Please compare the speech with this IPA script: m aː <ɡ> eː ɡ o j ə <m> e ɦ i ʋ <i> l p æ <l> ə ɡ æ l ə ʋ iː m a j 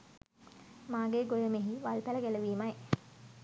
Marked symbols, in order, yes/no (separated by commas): yes, yes, no, yes